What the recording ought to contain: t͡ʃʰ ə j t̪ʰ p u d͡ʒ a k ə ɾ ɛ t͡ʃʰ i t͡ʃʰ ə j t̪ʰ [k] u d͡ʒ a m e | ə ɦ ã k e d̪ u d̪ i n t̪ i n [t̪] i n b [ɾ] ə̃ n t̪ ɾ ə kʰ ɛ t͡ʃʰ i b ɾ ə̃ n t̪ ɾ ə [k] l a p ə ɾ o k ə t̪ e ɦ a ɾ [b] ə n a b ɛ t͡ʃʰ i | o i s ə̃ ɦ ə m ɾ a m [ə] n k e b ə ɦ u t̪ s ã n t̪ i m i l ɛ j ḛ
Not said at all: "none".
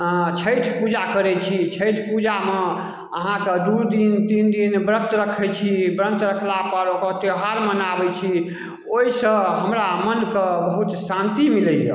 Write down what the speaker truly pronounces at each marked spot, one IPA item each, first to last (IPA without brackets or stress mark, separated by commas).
p, d̪, ɾ, kʰ, m, ə